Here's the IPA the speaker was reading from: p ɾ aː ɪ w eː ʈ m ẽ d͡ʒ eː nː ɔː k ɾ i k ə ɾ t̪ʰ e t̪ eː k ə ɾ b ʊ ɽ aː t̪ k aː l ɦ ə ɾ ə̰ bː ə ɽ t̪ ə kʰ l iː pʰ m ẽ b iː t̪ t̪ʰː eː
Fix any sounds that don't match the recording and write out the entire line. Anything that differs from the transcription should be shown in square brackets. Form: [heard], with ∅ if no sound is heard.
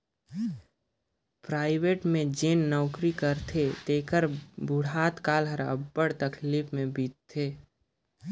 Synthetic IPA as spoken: p ɾ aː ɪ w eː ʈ m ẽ d͡ʒ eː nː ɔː k ɾ i k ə ɾ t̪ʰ e t̪ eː k ə ɾ b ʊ ɽ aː t̪ k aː l ɦ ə ɾ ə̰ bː ə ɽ t̪ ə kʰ l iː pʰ m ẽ b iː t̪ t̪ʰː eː